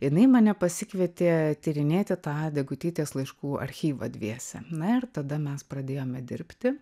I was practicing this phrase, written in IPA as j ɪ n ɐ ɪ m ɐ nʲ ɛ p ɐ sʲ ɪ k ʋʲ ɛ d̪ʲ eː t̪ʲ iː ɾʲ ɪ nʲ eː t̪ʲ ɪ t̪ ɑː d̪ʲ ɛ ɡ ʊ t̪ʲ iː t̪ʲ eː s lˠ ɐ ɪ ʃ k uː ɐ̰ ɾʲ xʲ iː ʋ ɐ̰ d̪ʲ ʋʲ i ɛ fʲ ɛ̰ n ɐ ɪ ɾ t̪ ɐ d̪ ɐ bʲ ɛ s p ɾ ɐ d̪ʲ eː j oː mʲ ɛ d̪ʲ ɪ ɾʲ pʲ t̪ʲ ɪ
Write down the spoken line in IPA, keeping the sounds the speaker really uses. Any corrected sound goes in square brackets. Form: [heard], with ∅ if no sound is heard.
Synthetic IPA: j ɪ n ɐ ɪ m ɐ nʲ ɛ p ɐ sʲ ɪ k ʋʲ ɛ [t̪ʲ] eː t̪ʲ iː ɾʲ ɪ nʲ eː t̪ʲ ɪ t̪ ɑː d̪ʲ ɛ ɡ ʊ t̪ʲ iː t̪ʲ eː s lˠ ɐ ɪ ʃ k uː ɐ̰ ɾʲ xʲ iː ʋ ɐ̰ d̪ʲ ʋʲ i ɛ [sʲ] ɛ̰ n ɐ ɪ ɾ t̪ ɐ d̪ ɐ [mʲ] ɛ s p ɾ ɐ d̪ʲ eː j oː mʲ ɛ d̪ʲ ɪ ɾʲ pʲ t̪ʲ ɪ

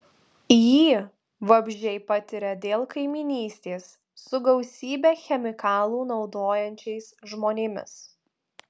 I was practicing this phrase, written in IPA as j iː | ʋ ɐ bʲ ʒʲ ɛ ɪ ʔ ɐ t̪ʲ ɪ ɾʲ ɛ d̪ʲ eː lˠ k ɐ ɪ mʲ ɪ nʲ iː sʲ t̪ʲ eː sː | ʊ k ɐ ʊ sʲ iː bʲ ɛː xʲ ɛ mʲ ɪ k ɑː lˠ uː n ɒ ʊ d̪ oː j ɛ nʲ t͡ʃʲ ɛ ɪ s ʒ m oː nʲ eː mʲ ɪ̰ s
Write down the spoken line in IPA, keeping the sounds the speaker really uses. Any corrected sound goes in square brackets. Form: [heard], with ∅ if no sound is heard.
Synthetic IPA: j iː | ʋ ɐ bʲ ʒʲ ɛ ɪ [p] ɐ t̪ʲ ɪ ɾʲ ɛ d̪ʲ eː lˠ k ɐ ɪ mʲ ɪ nʲ iː sʲ t̪ʲ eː sː | ʊ [ɡ] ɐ ʊ sʲ iː bʲ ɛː xʲ ɛ mʲ ɪ k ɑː lˠ uː n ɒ ʊ d̪ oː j ɛ nʲ t͡ʃʲ ɛ ɪ s ʒ m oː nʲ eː mʲ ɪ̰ s

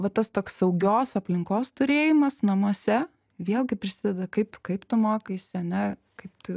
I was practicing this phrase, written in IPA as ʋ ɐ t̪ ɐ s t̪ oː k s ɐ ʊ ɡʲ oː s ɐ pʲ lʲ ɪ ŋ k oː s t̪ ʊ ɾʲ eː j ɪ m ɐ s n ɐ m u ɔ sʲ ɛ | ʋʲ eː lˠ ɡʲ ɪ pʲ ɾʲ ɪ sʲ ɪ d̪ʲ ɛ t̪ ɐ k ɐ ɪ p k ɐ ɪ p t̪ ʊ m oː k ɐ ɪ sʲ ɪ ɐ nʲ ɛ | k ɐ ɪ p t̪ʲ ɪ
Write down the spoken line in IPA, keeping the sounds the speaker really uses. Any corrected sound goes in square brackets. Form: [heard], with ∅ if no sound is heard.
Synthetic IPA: ʋ ɐ t̪ ɐ s t̪ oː k s ɐ ʊ ɡʲ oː s ɐ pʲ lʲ ɪ ŋ k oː s t̪ ʊ ɾʲ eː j ɪ m ɐ s n ɐ m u ɔ sʲ ɛ | ʋʲ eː lˠ ɡʲ ɪ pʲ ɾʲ ɪ sʲ ɪ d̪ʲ ɛ [d̪] ɐ k ɐ ɪ p k ɐ ɪ p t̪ ʊ m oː k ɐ ɪ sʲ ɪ ɐ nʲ ɛ | k ɐ ɪ p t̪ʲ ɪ

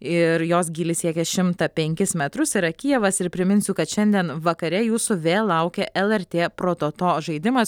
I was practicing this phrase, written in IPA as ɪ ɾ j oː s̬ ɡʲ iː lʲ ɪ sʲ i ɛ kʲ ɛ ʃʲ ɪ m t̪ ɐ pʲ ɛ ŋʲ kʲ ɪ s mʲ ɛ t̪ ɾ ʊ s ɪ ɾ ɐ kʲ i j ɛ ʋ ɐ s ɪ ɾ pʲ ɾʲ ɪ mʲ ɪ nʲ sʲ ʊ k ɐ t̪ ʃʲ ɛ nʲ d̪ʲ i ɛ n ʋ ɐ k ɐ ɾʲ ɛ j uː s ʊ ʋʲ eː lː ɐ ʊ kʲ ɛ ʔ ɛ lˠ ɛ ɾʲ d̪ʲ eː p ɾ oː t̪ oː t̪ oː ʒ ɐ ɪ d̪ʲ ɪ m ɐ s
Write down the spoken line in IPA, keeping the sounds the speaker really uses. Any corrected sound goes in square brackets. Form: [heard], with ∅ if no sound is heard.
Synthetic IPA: ɪ ɾ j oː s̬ ɡʲ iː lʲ ɪ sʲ i ɛ kʲ ɛ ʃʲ ɪ m t̪ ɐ pʲ ɛ ŋʲ kʲ ɪ s mʲ ɛ t̪ ɾ ʊ s ɪ ɾ ɐ kʲ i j ɛ ʋ ɐ s ɪ ɾ pʲ ɾʲ ɪ mʲ ɪ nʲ sʲ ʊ k ɐ t̪ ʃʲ ɛ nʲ d̪ʲ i ɛ n ʋ ɐ k ɐ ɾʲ ɛ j uː s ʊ ʋʲ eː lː ɐ ʊ kʲ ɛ ʔ ɛ lˠ ɛ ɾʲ [t̪ʲ] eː p ɾ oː t̪ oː t̪ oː ʒ ɐ ɪ d̪ʲ ɪ m ɐ s

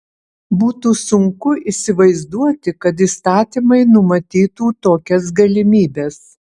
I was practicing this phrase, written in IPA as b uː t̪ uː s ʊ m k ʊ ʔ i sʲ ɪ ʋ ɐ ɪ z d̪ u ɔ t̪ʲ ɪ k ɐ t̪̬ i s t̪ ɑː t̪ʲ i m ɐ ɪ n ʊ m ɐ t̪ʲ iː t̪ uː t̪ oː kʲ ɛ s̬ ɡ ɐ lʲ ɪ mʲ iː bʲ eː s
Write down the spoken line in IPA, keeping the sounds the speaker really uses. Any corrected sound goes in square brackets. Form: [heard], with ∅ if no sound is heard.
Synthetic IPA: b uː t̪ uː s ʊ [ŋ] k ʊ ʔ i sʲ ɪ ʋ ɐ ɪ z d̪ u ɔ t̪ʲ ɪ k ɐ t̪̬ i s t̪ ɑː t̪ʲ i m ɐ ɪ n ʊ m ɐ t̪ʲ iː t̪ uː t̪ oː kʲ ɛ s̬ ɡ ɐ lʲ ɪ mʲ iː bʲ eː s

